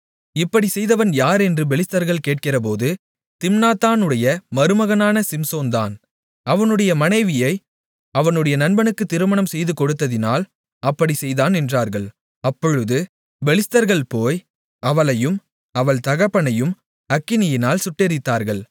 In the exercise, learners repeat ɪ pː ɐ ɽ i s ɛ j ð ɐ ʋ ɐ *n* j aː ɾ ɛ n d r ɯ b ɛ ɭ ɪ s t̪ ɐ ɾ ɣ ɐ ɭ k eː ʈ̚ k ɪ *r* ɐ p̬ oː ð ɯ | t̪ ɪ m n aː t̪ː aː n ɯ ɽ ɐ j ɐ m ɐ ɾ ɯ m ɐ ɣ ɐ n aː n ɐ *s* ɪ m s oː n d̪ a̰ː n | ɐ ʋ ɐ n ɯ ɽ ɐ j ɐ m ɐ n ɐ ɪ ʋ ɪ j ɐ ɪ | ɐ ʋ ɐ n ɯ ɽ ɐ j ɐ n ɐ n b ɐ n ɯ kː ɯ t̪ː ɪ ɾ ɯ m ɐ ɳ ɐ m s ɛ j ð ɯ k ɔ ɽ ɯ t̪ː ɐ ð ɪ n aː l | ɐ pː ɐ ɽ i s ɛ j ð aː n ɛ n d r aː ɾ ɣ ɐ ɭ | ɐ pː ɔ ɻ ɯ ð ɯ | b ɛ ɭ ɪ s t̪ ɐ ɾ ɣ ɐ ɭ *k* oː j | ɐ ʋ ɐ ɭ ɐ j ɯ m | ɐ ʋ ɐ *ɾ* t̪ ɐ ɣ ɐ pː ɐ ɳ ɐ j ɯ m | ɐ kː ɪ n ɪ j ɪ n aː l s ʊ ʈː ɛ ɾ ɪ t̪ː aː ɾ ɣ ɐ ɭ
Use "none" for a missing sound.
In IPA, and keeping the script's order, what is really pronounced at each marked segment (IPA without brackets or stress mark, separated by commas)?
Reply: n, r, s, p, ɭ